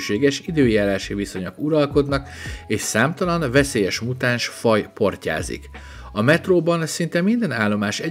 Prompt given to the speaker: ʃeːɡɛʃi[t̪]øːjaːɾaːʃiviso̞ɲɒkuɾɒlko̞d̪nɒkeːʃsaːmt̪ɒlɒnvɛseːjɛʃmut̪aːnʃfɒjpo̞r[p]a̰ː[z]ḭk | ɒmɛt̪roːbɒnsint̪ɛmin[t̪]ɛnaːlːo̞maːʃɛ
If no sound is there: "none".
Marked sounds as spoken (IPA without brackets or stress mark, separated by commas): d̪, c, z, d̪